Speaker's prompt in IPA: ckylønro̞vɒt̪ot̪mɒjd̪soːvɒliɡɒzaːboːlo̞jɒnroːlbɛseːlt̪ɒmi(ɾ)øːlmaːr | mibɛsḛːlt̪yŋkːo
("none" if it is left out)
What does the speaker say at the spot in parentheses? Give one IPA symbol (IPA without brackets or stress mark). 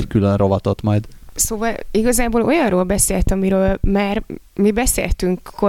ɾ